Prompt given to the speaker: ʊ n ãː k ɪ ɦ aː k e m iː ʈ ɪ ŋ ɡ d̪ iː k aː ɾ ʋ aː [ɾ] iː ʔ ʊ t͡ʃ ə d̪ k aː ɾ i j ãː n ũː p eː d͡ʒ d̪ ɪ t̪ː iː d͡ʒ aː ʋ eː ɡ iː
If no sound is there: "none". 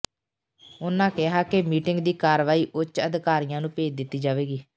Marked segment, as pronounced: none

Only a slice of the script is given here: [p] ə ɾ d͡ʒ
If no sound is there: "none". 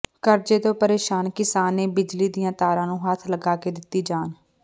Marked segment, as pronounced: k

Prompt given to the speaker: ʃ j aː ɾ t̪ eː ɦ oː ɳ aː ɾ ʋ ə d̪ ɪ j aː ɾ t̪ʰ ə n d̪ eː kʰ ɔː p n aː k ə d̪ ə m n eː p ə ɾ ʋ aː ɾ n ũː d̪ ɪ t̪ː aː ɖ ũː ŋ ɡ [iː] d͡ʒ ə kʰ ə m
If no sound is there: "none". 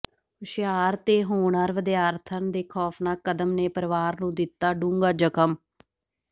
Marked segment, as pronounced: aː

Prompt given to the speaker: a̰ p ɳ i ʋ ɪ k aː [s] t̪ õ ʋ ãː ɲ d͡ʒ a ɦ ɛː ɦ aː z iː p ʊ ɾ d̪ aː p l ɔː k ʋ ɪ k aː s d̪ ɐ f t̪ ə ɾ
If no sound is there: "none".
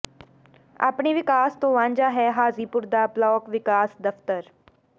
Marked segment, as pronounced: s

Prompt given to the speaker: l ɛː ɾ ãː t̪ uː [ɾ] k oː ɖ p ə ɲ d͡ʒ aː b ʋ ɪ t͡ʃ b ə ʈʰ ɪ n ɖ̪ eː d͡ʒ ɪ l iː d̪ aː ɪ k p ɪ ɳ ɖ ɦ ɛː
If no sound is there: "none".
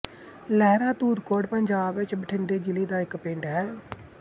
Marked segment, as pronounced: ɾ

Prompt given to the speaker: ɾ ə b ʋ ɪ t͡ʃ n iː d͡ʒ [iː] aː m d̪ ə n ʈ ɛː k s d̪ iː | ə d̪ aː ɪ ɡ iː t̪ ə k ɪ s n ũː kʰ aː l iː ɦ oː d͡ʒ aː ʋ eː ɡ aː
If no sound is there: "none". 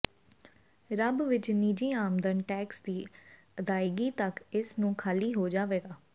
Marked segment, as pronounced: iː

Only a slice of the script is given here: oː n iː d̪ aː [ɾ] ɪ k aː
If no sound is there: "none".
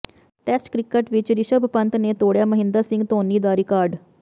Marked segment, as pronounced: ɾ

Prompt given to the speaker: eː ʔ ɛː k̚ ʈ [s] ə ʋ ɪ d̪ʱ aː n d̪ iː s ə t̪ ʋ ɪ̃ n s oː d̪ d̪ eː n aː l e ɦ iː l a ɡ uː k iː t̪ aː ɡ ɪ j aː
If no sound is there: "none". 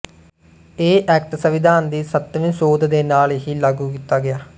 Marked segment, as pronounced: s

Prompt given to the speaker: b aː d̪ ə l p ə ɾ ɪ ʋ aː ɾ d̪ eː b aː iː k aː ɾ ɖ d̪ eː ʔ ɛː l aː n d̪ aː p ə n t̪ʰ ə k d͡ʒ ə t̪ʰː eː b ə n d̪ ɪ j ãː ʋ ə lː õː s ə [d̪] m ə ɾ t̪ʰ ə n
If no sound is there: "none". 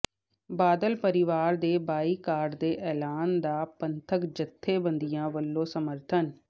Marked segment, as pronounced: none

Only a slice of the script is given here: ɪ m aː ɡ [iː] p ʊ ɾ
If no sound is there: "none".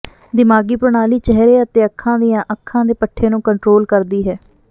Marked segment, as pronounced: iː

